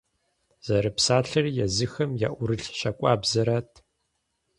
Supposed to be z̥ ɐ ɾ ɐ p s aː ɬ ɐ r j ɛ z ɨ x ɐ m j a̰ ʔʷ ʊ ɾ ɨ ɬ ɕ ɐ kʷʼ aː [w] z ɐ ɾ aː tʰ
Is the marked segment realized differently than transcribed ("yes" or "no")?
yes